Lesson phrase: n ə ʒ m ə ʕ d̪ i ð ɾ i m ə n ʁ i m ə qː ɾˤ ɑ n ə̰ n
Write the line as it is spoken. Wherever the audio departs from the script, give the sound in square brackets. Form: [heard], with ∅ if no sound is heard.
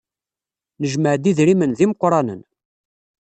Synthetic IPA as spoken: n ə ʒ m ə ʕ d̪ i ð ɾ i m ə n [ð] i m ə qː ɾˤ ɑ n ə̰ n